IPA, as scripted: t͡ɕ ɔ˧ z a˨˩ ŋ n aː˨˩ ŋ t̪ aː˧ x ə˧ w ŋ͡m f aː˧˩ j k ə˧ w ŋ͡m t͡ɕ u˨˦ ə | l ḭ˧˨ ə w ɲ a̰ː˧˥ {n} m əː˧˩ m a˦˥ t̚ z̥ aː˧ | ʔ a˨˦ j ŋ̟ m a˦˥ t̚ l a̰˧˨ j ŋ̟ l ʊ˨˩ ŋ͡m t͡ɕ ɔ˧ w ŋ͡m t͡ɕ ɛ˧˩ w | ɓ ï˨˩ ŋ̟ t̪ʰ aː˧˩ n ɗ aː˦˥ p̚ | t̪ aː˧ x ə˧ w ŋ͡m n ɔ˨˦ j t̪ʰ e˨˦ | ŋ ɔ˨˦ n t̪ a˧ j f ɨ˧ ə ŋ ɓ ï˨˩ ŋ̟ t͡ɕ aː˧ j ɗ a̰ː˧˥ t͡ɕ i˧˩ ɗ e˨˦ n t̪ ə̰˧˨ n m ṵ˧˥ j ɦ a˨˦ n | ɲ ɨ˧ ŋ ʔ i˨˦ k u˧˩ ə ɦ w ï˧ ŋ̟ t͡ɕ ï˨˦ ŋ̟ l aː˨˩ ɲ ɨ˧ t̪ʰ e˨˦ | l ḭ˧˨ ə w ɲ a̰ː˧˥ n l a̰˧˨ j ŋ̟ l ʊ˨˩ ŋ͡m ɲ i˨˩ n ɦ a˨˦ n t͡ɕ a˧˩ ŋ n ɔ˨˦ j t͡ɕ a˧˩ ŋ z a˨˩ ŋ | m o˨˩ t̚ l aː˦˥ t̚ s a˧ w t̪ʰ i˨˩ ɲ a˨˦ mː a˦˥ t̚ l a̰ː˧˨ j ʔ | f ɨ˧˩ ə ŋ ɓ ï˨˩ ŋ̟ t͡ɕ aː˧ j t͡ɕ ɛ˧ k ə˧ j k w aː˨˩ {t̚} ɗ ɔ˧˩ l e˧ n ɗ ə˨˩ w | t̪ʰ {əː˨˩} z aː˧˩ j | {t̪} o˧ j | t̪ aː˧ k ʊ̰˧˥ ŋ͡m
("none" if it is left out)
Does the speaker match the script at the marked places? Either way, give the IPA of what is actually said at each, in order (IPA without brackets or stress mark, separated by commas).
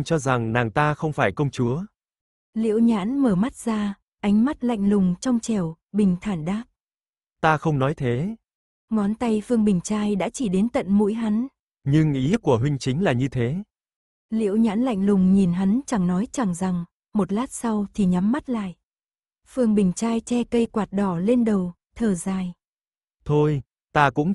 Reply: n, t̚, əː˨˩, t̪ʰ